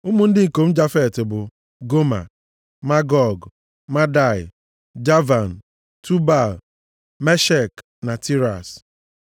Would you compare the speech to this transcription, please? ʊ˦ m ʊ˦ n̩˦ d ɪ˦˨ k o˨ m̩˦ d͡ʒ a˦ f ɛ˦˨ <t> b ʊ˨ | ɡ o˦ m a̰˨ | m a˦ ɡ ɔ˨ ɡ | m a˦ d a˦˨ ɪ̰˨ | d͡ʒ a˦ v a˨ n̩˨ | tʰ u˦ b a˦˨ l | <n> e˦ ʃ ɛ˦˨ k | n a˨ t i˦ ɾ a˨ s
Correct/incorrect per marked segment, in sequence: correct, incorrect

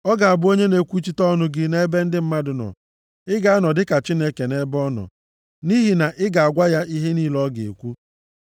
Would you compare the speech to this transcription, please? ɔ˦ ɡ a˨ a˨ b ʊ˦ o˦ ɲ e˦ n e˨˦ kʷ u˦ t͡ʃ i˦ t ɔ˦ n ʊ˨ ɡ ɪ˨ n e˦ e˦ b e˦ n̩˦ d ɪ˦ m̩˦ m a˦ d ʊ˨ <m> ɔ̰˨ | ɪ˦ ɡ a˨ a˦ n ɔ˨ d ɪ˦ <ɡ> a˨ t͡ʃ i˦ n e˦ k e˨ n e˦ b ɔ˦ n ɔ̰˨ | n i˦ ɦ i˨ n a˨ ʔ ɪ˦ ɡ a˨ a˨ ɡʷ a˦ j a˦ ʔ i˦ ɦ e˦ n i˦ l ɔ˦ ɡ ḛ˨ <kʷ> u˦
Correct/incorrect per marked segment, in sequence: incorrect, incorrect, correct

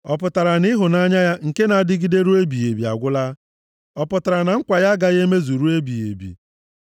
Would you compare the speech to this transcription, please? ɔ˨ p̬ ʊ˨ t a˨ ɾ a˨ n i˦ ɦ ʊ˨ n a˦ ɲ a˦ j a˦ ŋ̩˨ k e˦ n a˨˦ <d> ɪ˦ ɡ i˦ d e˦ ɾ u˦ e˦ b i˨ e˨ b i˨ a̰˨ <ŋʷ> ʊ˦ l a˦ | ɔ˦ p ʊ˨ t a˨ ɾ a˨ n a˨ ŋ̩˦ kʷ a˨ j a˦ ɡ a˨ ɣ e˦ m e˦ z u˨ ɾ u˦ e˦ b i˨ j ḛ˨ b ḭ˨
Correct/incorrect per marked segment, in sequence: correct, incorrect

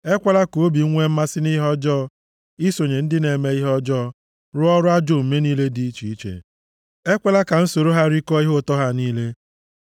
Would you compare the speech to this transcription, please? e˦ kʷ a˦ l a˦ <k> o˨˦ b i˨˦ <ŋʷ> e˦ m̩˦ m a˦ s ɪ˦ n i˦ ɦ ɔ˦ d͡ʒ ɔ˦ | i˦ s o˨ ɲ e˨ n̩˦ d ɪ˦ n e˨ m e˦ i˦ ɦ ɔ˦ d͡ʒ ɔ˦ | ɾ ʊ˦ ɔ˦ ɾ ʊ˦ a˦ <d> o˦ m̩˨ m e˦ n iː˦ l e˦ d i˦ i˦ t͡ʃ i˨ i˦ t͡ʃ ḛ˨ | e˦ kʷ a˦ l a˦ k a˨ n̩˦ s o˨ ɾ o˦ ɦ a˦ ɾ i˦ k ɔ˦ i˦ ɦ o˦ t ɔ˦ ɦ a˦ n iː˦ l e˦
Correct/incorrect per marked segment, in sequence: correct, correct, incorrect

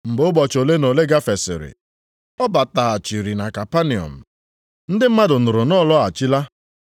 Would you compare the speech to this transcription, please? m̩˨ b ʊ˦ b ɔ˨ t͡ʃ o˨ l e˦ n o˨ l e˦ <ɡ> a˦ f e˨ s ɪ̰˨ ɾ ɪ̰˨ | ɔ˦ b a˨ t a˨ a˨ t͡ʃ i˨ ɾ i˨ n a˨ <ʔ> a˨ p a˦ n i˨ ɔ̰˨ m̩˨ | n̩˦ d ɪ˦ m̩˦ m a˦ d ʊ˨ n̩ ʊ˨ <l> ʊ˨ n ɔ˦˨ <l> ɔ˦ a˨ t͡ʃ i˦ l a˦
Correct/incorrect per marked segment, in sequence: correct, incorrect, incorrect, correct

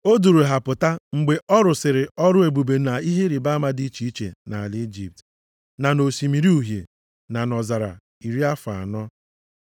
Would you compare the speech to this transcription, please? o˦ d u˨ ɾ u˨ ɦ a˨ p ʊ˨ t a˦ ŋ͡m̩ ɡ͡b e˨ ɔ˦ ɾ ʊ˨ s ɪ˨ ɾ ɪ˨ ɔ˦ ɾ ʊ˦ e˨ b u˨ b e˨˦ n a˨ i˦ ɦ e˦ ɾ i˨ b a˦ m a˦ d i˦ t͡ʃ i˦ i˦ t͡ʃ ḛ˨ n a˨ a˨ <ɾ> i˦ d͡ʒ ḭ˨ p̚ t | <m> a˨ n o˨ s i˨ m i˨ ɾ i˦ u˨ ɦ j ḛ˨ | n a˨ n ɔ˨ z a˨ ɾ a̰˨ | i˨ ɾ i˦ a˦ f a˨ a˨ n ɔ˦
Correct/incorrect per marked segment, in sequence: incorrect, incorrect

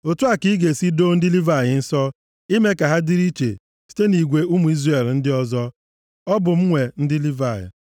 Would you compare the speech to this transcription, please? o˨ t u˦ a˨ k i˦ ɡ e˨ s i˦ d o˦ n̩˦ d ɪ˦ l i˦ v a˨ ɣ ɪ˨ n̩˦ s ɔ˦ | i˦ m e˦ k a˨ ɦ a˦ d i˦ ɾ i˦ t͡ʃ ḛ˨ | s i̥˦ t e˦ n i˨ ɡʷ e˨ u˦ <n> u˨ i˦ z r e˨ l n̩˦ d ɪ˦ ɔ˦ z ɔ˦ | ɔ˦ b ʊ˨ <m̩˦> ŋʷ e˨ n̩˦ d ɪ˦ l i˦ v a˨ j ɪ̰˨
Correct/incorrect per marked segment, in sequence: incorrect, correct

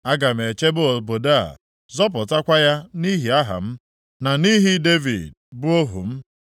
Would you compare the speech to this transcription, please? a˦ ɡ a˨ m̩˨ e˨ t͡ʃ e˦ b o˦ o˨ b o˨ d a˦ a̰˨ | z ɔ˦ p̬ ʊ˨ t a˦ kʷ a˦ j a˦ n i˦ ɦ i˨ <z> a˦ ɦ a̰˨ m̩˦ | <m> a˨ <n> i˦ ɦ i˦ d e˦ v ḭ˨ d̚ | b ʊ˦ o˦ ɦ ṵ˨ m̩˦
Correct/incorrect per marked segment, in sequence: incorrect, incorrect, correct

